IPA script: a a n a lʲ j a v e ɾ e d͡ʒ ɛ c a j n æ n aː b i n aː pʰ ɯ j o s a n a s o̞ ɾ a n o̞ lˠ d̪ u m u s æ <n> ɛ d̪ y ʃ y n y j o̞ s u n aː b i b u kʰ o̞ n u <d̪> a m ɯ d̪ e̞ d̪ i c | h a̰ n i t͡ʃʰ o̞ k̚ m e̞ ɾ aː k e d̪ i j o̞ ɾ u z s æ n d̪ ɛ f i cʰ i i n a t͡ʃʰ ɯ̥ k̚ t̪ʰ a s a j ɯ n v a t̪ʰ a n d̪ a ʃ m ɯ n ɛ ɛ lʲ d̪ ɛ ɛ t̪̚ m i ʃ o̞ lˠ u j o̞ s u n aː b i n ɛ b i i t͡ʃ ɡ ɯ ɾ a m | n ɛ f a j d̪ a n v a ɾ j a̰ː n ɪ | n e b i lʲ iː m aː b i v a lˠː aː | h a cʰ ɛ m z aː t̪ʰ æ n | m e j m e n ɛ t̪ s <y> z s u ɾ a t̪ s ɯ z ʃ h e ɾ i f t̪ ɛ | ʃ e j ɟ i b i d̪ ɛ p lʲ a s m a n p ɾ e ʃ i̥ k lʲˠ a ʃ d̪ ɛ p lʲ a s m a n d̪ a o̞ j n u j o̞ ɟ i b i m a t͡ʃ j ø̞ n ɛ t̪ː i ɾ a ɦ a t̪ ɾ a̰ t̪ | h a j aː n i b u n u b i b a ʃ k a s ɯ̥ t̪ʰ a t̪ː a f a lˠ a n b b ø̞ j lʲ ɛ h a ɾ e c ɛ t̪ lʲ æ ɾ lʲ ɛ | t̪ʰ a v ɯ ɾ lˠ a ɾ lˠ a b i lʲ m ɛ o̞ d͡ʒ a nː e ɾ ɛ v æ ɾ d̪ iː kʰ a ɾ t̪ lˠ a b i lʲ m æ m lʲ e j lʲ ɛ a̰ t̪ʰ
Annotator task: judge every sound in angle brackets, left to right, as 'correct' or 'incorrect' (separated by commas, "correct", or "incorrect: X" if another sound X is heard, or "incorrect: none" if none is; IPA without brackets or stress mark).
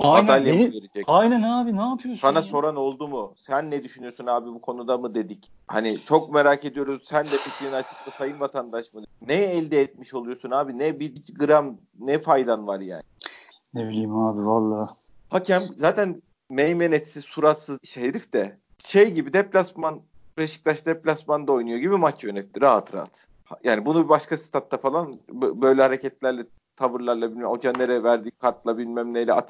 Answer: incorrect: nː, correct, incorrect: i